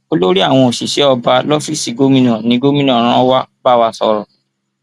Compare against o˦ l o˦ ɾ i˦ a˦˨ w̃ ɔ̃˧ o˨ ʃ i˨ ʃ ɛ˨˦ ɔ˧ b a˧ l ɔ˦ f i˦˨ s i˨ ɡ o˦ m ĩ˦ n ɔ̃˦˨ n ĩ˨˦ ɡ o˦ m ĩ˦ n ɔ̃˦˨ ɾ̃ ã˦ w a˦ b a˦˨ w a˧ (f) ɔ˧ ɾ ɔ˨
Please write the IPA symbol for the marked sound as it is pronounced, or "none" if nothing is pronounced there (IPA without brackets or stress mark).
s